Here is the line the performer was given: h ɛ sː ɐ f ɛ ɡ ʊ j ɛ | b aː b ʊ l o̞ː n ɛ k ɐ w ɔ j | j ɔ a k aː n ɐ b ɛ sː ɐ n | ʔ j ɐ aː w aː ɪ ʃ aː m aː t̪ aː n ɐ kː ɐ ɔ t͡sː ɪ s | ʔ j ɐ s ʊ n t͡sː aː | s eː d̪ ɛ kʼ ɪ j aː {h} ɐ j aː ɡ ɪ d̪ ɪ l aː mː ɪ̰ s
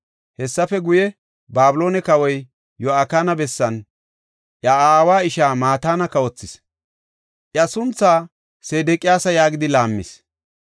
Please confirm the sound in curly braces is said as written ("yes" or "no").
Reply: no